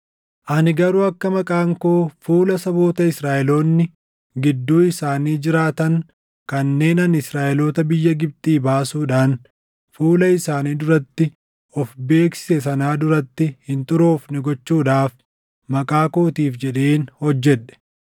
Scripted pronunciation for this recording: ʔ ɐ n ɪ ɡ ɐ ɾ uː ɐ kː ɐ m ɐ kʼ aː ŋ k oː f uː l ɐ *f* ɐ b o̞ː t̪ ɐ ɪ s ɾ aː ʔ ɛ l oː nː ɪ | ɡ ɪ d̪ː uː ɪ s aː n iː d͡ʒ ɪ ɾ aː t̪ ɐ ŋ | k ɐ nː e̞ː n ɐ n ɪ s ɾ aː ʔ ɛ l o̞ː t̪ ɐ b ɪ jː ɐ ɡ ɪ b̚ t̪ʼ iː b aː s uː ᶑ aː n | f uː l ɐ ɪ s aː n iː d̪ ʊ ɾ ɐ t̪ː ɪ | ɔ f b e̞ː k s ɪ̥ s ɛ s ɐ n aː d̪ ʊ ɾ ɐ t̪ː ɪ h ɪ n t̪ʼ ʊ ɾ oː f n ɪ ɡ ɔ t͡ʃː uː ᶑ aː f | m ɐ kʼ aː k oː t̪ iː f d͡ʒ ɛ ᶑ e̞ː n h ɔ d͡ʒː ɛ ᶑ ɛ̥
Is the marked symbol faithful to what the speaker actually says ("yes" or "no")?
no